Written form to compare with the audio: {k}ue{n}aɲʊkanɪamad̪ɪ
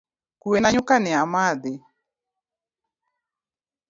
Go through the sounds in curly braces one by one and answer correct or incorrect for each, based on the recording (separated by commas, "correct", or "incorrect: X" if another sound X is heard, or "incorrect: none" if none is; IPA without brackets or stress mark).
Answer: correct, correct